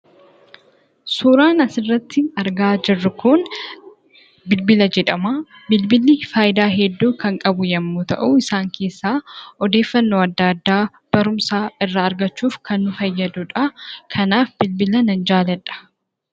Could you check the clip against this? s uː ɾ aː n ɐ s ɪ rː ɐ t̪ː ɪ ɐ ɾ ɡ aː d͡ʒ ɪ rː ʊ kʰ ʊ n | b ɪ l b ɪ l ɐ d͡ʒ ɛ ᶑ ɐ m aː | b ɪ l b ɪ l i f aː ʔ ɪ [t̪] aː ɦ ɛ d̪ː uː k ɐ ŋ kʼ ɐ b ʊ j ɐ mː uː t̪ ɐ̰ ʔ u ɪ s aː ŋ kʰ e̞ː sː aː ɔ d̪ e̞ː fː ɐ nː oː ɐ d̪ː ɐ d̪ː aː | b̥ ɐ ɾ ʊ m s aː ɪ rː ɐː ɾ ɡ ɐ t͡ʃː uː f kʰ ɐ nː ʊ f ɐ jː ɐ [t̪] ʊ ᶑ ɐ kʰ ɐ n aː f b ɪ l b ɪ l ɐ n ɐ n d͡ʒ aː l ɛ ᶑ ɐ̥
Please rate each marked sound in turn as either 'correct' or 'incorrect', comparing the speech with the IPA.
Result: incorrect, incorrect

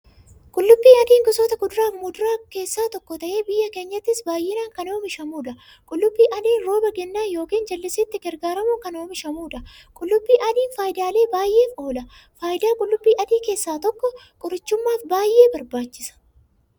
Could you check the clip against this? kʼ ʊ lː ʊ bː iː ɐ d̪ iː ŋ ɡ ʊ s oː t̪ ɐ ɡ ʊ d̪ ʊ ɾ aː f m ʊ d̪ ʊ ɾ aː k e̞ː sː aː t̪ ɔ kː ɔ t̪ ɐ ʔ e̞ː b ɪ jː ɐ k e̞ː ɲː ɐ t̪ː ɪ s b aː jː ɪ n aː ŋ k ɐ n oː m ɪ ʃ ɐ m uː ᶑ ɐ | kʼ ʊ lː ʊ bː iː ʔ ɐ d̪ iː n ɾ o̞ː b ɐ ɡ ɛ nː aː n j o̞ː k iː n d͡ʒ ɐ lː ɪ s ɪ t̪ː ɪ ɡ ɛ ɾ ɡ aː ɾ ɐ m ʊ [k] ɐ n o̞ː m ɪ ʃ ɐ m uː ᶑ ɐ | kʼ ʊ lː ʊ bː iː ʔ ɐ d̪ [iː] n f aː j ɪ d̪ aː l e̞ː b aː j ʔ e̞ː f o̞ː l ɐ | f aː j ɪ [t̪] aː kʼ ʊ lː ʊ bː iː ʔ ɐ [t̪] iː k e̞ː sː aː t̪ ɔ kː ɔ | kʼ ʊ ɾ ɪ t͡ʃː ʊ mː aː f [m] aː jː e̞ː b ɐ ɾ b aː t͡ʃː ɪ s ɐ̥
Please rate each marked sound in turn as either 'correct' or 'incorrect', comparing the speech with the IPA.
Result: correct, correct, incorrect, incorrect, incorrect

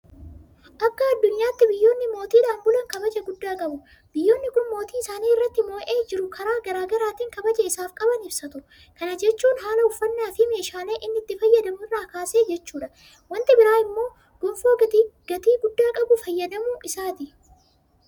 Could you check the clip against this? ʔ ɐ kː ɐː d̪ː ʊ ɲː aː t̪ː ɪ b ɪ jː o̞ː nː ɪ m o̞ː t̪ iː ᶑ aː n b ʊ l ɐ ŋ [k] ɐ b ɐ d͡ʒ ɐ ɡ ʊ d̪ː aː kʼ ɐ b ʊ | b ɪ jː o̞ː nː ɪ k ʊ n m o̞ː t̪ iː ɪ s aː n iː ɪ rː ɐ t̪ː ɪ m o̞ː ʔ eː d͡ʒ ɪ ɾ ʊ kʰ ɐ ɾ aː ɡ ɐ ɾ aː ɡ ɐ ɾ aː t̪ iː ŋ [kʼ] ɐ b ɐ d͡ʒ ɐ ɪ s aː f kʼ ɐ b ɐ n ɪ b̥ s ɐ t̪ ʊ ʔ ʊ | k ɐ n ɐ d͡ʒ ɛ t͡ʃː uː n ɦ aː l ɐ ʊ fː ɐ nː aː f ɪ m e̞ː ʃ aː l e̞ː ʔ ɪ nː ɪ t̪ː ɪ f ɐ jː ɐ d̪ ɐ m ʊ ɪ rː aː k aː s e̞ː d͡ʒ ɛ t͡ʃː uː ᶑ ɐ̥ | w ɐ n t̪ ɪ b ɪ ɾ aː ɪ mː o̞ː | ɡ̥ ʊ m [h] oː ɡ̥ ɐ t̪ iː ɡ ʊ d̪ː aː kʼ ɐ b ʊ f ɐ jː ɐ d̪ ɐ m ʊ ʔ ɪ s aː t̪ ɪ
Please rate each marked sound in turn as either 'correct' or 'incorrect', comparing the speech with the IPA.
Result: correct, incorrect, incorrect

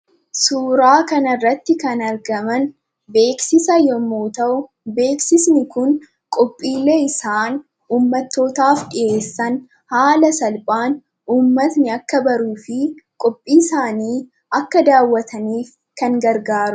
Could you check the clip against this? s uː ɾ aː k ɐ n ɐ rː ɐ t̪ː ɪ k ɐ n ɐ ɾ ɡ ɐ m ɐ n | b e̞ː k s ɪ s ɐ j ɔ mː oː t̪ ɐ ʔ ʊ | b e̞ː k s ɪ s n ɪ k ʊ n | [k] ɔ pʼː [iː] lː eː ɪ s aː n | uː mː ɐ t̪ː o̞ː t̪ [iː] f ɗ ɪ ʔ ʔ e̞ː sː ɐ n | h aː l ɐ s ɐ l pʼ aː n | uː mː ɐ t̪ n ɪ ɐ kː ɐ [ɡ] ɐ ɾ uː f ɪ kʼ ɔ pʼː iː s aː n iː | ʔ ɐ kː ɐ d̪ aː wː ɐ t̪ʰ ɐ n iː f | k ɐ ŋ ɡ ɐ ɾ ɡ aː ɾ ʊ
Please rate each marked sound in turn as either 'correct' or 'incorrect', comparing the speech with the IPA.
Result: incorrect, correct, incorrect, incorrect

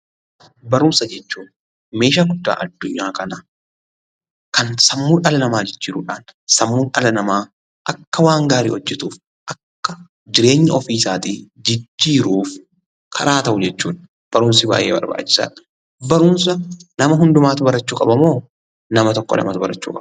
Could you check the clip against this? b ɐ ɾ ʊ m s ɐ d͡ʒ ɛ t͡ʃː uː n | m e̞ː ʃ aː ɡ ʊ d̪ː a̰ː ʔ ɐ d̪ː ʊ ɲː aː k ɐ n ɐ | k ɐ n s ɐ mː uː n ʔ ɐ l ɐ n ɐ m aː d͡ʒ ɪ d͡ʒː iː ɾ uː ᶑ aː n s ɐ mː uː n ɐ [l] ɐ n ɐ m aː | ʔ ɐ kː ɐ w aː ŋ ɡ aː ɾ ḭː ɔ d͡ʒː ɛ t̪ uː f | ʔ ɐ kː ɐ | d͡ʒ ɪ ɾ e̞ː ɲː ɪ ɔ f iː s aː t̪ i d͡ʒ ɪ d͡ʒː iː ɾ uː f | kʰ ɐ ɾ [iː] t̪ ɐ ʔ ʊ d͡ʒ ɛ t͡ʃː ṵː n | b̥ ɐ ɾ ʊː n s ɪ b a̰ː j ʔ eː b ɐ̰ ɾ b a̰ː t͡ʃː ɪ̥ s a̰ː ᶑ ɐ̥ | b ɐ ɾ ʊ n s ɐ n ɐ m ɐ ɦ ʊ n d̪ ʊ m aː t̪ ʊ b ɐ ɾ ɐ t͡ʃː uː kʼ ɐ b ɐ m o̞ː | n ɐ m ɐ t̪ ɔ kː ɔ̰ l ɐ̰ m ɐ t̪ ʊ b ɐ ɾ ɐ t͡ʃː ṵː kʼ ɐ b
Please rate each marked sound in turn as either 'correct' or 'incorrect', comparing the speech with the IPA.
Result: correct, incorrect

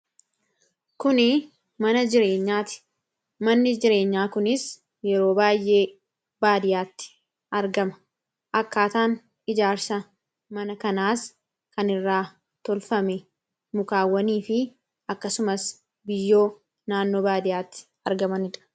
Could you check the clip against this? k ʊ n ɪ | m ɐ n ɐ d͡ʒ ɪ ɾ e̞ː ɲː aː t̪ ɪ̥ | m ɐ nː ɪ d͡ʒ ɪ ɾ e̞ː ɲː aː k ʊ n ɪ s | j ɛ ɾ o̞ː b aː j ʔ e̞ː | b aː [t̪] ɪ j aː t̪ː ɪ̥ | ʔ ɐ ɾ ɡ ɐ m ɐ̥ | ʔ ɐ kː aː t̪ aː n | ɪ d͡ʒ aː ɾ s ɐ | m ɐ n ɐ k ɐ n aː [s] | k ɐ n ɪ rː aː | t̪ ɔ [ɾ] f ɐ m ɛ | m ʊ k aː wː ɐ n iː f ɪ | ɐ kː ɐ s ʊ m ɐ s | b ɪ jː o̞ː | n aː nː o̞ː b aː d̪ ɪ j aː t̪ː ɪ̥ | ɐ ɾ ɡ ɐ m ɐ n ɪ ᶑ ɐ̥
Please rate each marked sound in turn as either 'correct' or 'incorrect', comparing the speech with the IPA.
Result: incorrect, correct, incorrect

